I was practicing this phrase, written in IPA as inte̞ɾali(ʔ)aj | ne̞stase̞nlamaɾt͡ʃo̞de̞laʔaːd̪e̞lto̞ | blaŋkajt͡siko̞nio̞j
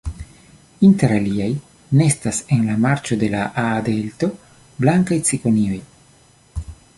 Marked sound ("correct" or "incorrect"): incorrect